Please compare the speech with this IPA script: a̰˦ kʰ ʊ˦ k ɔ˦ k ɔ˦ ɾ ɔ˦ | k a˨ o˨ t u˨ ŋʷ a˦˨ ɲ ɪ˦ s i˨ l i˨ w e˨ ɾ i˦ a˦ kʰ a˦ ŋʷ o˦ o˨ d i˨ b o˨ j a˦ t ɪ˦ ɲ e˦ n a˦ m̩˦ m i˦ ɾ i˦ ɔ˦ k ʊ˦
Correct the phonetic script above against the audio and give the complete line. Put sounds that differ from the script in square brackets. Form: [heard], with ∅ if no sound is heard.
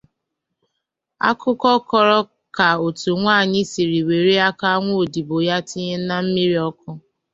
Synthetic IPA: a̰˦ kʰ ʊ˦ k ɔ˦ k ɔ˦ ɾ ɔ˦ | k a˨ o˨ t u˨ ŋʷ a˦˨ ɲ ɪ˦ s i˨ [ɾ] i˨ w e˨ ɾ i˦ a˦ [k] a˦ ŋʷ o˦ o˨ d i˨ b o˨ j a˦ t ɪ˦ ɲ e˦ n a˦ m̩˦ m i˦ ɾ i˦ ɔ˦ k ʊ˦